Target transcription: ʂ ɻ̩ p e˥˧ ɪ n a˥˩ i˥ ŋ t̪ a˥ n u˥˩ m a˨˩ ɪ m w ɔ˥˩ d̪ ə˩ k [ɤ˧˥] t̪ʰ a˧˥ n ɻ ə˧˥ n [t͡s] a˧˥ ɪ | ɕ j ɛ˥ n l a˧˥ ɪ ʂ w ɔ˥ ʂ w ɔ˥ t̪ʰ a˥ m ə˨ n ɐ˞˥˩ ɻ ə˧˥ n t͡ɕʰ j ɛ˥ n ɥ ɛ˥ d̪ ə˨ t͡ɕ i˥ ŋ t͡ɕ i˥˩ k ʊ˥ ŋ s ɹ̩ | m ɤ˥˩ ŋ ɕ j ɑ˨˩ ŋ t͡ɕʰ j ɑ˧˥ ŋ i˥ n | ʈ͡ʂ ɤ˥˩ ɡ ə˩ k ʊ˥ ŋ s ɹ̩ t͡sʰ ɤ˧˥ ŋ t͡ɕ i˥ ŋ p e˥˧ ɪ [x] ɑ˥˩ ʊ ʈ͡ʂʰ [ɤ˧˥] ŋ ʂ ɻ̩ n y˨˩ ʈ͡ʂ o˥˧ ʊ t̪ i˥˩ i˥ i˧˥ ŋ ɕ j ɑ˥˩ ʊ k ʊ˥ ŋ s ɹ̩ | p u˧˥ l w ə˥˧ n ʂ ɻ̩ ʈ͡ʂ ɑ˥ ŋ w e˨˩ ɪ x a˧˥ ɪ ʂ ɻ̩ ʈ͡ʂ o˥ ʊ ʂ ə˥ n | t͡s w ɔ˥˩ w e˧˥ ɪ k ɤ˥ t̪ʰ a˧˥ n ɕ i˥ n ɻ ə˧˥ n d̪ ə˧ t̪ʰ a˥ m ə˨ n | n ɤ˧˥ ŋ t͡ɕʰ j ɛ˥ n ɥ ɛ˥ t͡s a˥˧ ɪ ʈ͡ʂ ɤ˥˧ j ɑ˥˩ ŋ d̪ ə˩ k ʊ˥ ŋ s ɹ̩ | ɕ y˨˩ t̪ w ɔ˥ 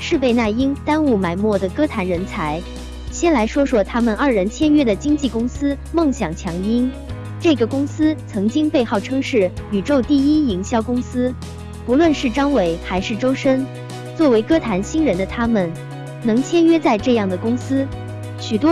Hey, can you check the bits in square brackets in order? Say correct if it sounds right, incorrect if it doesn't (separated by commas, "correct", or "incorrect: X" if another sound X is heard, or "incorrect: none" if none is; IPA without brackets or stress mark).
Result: incorrect: ɤ˥, incorrect: t͡sʰ, correct, incorrect: ɤ˥